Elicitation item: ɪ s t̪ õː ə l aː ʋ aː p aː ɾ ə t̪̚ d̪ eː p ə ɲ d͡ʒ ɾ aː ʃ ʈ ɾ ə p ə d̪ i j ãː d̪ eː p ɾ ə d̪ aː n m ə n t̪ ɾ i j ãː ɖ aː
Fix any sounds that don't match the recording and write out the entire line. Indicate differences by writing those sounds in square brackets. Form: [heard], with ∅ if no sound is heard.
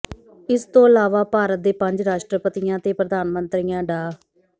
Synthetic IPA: ɪ s t̪ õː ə l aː ʋ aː p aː ɾ ə t̪̚ d̪ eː p ə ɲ d͡ʒ ɾ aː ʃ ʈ ɾ ə p ə [t̪] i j ãː [t̪] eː p ɾ ə d̪ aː n m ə n t̪ ɾ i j ãː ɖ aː